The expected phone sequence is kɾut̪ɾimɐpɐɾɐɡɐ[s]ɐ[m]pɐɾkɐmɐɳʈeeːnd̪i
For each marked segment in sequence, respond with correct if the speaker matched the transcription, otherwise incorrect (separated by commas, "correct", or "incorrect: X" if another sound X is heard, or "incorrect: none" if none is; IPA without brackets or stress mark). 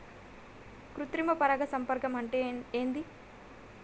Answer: correct, correct